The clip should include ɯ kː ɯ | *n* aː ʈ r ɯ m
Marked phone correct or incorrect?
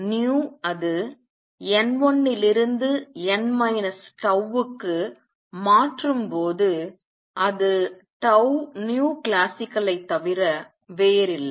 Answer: incorrect